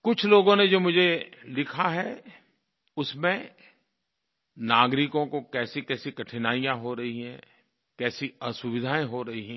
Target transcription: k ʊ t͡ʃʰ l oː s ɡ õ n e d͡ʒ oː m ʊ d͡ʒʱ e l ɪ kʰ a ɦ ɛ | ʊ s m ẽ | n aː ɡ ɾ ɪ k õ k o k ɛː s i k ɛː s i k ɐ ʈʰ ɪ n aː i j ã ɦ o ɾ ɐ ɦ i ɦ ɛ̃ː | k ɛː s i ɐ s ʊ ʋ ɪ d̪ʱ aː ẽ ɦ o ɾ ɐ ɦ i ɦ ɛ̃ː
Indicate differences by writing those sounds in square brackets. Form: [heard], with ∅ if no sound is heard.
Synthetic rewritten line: k ʊ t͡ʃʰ l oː [∅] ɡ õ n e d͡ʒ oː m ʊ d͡ʒʱ e l ɪ kʰ a ɦ ɛ | ʊ s m ẽ | n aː ɡ ɾ ɪ k õ k o k ɛː s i k ɛː s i k ɐ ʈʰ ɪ n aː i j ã ɦ o ɾ ɐ ɦ i ɦ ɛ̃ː | k ɛː s i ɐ s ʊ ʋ ɪ d̪ʱ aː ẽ ɦ o ɾ ɐ ɦ i ɦ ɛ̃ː